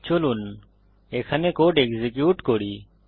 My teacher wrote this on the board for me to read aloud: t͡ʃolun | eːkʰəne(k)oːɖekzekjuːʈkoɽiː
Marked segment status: correct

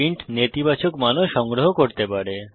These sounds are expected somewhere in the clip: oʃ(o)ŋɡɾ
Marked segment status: incorrect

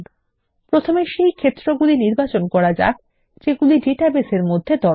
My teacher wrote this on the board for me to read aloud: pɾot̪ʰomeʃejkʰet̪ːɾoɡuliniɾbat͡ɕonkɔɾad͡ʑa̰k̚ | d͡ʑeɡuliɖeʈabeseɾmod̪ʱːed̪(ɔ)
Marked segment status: correct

